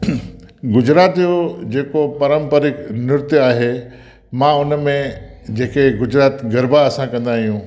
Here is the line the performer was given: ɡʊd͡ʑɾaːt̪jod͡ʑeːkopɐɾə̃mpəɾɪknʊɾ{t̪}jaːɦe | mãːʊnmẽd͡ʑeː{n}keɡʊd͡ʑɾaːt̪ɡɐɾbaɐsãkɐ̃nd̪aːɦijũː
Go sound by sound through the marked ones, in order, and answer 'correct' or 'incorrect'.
correct, incorrect

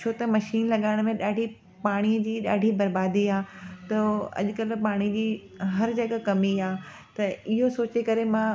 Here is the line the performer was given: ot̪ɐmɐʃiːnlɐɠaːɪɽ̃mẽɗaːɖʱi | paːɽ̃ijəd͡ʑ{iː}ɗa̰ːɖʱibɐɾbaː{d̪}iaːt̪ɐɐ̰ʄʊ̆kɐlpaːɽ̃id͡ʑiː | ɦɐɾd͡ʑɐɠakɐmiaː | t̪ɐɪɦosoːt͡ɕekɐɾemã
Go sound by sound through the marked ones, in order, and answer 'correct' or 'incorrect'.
correct, correct

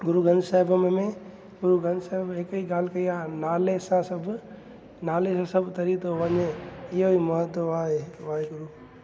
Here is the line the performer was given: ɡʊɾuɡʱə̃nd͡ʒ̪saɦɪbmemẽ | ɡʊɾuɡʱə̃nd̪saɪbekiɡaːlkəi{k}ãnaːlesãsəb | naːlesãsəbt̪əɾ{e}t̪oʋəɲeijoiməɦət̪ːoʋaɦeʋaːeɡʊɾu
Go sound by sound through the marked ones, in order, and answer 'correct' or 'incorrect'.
incorrect, incorrect

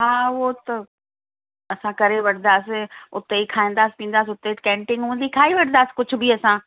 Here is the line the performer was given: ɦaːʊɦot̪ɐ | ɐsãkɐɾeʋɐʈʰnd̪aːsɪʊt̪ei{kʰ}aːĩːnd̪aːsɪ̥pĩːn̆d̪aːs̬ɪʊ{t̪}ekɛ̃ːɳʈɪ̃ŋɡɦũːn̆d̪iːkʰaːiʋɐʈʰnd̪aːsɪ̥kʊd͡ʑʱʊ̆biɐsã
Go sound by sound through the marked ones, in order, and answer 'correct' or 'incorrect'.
correct, correct

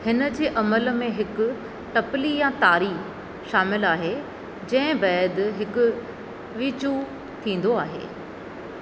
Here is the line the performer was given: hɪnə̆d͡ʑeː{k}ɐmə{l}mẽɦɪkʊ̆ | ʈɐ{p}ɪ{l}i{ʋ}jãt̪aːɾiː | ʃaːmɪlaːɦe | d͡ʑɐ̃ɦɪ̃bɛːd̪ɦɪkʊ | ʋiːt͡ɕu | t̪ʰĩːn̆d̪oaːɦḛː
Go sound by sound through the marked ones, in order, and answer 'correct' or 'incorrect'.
incorrect, correct, correct, correct, incorrect

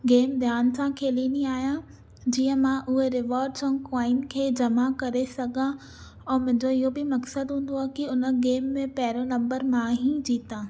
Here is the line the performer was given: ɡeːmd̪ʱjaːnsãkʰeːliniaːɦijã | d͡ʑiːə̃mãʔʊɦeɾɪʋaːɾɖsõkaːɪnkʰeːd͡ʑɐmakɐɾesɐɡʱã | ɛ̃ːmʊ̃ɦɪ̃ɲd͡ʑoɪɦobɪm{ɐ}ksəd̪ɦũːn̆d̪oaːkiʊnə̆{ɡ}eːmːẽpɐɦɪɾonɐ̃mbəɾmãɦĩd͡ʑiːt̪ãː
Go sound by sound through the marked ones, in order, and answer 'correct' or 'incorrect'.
correct, correct

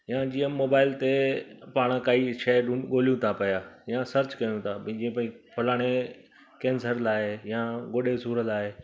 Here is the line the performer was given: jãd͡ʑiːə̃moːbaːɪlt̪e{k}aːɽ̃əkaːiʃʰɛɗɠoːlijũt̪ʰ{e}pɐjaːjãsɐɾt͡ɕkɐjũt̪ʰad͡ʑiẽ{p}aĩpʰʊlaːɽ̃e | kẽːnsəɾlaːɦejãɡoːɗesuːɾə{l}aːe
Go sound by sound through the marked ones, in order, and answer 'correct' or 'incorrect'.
incorrect, incorrect, correct, correct

